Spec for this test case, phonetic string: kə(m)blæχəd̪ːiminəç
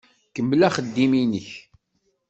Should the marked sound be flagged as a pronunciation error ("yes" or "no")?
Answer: no